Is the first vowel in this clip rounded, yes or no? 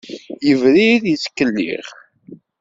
no